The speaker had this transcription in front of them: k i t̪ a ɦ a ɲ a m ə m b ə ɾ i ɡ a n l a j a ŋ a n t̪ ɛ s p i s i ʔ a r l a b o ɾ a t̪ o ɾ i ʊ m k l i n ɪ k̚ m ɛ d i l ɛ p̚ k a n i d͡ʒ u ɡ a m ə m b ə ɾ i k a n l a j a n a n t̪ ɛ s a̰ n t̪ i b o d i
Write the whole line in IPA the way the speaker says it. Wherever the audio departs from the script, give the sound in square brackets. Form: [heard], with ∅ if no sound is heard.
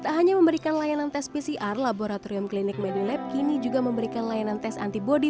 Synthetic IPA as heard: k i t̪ a ɦ a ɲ a m ə m b ə ɾ i [k] a n l a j a [n] a n t̪ ɛ s p i s i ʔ a r l a b o ɾ a t̪ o ɾ i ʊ m k l i n ɪ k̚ m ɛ d i l ɛ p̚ k [i] n i d͡ʒ u ɡ a m ə m b ə ɾ i k a n l a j a n a n t̪ ɛ s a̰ n t̪ i b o d i